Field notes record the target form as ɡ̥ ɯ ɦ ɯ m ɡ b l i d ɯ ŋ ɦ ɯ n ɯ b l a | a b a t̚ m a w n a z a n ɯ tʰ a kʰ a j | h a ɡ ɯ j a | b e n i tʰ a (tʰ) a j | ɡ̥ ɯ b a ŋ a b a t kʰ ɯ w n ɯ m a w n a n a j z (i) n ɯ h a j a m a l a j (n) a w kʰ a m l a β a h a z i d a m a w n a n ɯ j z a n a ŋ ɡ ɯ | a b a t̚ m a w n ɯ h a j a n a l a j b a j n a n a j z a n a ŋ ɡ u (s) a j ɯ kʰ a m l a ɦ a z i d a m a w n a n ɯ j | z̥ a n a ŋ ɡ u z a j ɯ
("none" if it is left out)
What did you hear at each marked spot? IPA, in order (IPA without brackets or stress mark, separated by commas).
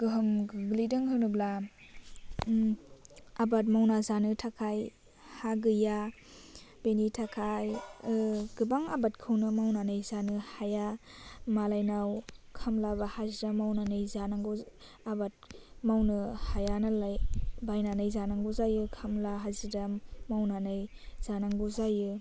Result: kʰ, a, n, z